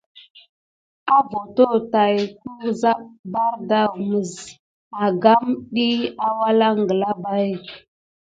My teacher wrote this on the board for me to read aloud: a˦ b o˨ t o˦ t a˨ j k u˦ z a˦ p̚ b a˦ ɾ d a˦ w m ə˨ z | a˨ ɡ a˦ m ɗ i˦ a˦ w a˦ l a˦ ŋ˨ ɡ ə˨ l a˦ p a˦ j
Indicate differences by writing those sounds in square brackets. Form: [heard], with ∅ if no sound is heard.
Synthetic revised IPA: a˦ [v] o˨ t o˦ t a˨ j k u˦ z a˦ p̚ b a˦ ɾ d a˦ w m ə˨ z | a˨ ɡ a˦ m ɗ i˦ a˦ w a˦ l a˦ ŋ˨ ɡ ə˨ l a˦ [b] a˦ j

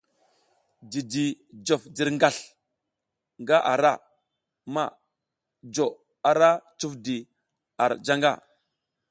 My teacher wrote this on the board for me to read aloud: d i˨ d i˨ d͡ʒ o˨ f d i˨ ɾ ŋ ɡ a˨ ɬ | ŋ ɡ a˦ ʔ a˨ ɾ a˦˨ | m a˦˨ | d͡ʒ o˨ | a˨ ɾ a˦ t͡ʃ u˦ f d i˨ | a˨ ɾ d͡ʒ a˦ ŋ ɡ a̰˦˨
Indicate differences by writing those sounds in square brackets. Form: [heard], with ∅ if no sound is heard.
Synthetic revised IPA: d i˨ d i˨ d͡ʒ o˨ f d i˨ ɾ ŋ ɡ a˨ ɬ | ŋ ɡ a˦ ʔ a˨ ɾ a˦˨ | m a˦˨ | d͡ʒ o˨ | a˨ ɾ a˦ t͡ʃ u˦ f d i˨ | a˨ ɾ d͡ʒ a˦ ŋ ɡ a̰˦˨

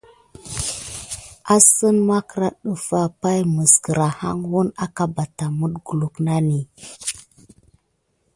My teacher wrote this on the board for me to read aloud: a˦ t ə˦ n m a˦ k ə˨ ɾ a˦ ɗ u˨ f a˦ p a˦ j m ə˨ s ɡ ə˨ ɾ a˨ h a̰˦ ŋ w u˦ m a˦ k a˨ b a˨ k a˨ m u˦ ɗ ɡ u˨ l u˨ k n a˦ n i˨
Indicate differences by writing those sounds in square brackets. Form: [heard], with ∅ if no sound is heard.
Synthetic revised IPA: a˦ [s] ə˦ n m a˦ k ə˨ ɾ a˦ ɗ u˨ f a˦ p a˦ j m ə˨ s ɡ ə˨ ɾ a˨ h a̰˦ ŋ w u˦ [n] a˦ k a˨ b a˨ [t] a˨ m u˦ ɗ ɡ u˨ l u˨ k n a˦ n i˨

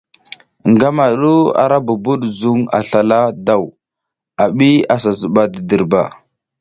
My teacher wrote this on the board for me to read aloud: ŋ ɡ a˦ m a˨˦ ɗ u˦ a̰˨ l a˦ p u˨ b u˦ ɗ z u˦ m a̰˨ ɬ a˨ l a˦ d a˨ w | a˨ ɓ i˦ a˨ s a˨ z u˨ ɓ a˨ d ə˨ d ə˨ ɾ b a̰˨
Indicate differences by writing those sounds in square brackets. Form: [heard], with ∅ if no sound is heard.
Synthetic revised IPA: ŋ ɡ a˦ m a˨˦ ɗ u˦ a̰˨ [ɾ] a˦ [b] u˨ b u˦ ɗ z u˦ [ŋ] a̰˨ ɬ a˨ l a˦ d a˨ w | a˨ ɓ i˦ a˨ s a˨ z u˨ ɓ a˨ d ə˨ d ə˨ ɾ b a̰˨

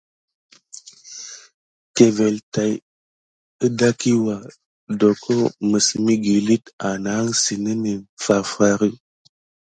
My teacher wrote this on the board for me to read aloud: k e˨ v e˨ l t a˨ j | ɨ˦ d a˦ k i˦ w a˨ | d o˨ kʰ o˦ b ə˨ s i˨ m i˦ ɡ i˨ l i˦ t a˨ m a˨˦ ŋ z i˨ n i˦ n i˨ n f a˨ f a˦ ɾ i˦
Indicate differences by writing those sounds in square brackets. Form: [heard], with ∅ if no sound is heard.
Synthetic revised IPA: k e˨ v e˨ l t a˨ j | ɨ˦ d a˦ k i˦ w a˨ | d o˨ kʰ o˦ [m] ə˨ s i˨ m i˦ ɡ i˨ l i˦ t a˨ [n] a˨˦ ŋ [s] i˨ n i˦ n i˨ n f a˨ f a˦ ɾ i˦

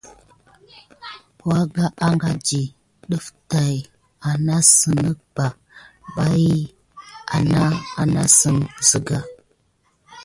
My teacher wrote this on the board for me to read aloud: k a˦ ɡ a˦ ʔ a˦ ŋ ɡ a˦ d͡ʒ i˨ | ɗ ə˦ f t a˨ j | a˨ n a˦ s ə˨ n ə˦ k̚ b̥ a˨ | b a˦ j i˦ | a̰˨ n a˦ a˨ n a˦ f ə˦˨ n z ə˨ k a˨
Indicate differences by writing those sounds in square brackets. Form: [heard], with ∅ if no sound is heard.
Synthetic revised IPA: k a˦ ɡ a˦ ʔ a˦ ŋ ɡ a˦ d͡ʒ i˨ | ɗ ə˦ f t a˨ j | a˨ n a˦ s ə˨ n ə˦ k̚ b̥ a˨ | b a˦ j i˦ | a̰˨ n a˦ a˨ n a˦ [s] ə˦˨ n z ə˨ [ɡ] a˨

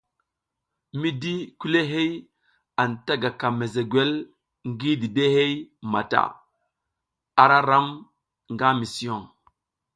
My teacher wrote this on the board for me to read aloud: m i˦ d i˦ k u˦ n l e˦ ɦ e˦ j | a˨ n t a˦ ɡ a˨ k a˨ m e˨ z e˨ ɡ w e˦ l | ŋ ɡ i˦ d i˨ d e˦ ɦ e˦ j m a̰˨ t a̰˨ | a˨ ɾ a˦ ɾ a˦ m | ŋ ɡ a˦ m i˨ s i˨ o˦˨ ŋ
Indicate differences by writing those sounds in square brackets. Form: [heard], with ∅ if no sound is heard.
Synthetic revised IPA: m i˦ d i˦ k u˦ [∅] l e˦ ɦ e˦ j | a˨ n t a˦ ɡ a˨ k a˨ m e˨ z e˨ ɡ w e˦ l | ŋ ɡ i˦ d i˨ d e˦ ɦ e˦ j m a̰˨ t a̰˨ | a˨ ɾ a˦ ɾ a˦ m | ŋ ɡ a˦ m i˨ s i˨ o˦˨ ŋ

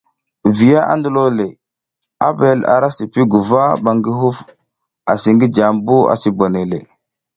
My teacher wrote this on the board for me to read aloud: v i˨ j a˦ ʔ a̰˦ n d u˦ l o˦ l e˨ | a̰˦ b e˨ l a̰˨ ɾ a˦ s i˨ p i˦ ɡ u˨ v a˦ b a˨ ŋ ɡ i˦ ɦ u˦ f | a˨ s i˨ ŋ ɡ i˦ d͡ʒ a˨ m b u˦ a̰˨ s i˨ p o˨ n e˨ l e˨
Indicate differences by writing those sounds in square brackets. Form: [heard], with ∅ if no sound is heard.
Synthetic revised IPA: v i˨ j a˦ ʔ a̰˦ n d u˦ l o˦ l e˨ | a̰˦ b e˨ l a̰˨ ɾ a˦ s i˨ p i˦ ɡ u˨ v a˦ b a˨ ŋ ɡ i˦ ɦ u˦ f | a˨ s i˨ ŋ ɡ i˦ d͡ʒ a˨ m b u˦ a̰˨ s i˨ [b] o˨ n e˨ l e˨

